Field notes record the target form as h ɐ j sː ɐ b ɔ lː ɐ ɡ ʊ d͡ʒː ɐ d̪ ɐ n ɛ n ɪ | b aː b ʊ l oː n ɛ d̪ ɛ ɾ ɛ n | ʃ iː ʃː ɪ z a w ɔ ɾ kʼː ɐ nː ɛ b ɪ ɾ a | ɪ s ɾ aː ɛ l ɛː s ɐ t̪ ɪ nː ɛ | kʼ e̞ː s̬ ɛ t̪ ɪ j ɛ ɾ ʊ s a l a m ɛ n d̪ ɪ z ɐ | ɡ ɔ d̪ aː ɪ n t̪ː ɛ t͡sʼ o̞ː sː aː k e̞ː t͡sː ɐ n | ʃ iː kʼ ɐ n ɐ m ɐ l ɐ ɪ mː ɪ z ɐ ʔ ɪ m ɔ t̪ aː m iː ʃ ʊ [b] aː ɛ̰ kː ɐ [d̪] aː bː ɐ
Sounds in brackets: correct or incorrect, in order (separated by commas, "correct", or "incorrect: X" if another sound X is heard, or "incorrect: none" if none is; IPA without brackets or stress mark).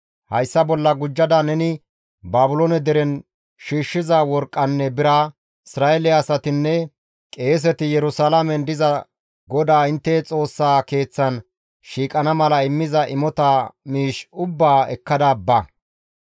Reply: incorrect: bː, correct